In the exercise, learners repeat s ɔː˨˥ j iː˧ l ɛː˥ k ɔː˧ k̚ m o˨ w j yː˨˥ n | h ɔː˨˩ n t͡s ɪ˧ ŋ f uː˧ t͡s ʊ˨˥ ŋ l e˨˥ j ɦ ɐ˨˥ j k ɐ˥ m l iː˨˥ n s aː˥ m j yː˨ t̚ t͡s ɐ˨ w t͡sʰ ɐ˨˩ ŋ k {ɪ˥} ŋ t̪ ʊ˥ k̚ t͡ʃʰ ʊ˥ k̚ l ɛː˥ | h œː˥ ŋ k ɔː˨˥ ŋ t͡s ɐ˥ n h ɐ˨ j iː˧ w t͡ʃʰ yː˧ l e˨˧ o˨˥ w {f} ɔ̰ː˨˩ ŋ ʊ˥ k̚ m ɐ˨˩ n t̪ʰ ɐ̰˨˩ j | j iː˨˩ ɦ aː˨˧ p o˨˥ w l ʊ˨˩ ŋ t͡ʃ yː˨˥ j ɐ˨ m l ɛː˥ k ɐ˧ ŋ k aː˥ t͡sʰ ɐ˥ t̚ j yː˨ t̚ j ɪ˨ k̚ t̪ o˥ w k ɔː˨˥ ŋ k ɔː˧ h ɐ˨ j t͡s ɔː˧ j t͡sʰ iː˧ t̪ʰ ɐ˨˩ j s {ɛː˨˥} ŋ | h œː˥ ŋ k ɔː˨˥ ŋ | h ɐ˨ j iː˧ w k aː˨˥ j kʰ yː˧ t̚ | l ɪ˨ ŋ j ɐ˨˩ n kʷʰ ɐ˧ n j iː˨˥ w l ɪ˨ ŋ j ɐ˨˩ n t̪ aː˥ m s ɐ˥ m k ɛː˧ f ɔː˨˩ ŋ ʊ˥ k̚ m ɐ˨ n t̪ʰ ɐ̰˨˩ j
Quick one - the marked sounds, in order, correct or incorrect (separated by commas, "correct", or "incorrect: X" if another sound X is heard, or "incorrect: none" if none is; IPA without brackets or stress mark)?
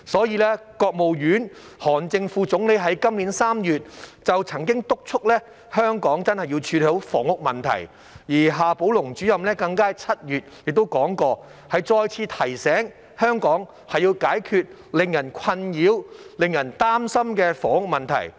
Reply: correct, correct, correct